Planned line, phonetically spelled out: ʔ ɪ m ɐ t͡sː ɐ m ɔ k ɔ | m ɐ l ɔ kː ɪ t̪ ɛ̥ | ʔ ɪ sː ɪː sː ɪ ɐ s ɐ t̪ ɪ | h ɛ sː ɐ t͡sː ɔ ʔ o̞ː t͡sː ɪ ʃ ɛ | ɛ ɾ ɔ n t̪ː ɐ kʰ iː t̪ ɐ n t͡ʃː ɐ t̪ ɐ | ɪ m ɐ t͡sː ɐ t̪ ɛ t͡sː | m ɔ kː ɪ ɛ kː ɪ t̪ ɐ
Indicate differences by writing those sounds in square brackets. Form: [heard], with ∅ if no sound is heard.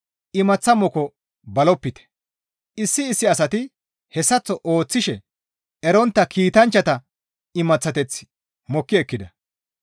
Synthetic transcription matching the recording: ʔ ɪ m ɐ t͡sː ɐ m ɔ k ɔ | [b] ɐ l ɔ [pː] ɪ t̪ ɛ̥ | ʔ ɪ sː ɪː sː ɪ ɐ s ɐ t̪ ɪ | h ɛ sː ɐ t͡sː ɔ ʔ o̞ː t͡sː ɪ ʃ ɛ | ɛ ɾ ɔ n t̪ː ɐ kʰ iː t̪ ɐ n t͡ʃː ɐ t̪ ɐ | ɪ m ɐ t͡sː ɐ t̪ ɛ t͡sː | m ɔ kː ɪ ɛ kː ɪ [d̪] ɐ